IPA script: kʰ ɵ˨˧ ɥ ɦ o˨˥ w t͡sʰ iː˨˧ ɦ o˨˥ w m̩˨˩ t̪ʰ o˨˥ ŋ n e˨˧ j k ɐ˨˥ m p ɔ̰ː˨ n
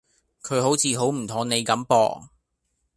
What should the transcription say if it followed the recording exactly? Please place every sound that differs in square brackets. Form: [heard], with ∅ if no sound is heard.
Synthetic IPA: kʰ ɵ˨˧ ɥ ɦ o˨˥ w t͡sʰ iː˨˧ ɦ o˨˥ w m̩˨˩ t̪ʰ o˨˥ ŋ n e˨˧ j k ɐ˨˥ m p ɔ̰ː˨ [ŋ]